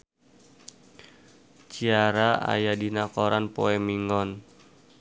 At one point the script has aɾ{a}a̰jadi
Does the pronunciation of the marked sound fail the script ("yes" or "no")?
no